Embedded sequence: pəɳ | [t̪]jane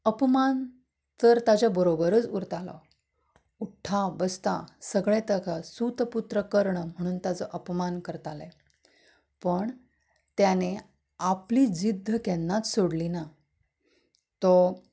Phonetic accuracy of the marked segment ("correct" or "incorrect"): correct